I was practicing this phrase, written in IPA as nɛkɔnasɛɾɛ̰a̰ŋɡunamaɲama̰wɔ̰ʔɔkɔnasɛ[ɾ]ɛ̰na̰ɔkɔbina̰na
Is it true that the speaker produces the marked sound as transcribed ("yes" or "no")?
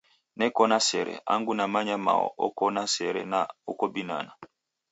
yes